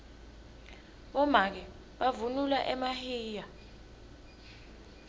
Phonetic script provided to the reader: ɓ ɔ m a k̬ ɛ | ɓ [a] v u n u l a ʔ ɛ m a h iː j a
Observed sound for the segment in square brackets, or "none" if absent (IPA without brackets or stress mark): a